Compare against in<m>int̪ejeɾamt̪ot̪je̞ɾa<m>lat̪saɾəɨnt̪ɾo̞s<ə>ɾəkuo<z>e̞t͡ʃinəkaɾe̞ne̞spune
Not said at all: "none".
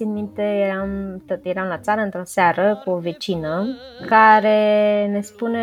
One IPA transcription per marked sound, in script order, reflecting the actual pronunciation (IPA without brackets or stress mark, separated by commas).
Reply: m, m, a, v